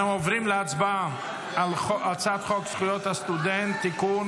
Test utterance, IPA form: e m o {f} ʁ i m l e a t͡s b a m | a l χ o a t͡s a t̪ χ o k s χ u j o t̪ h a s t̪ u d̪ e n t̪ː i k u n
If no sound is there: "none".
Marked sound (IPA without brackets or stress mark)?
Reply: v